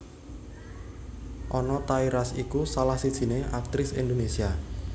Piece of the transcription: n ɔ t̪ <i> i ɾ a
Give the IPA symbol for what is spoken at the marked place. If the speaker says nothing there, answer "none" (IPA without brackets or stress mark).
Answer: a